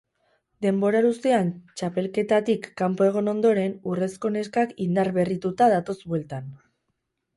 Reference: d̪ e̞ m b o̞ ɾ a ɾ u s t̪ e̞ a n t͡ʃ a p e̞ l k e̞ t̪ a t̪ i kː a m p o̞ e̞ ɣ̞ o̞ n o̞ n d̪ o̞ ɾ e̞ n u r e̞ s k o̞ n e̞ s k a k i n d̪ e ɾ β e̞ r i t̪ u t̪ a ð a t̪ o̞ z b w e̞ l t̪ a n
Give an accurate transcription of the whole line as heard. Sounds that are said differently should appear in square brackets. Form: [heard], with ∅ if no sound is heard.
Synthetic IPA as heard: d̪ e̞ m b o̞ ɾ a ɾ u s t̪ e̞ a n t͡ʃ a p e̞ l k e̞ t̪ a t̪ i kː a m p o̞ e̞ ɣ̞ o̞ n o̞ n d̪ o̞ ɾ e̞ n u r e̞ s k o̞ n e̞ s k a k i n d̪ [a] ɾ β e̞ r i t̪ u t̪ a ð a t̪ o̞ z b w e̞ l t̪ a n